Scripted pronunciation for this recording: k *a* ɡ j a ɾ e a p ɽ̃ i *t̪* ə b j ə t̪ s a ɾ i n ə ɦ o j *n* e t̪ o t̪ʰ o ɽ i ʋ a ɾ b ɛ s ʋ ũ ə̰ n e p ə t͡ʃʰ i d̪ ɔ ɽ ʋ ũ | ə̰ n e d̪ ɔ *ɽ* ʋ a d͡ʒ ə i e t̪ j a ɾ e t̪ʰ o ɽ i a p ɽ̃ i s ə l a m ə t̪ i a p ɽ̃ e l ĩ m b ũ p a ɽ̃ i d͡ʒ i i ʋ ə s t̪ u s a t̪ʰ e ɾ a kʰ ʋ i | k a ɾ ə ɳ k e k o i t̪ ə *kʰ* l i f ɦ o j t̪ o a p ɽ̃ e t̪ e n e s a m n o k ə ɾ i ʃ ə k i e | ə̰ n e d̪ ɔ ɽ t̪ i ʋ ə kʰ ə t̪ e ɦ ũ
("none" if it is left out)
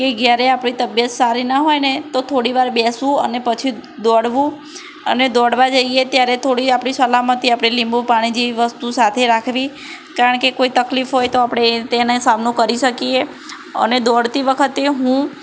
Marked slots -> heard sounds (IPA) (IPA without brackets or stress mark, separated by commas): e, t̪, n, ɽ, k